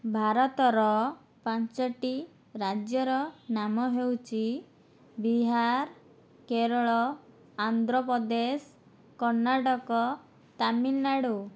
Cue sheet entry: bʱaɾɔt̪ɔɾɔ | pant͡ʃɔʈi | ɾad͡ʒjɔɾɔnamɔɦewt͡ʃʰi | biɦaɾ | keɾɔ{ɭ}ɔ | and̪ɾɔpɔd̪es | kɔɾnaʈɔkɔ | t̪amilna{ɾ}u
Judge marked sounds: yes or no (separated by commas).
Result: yes, no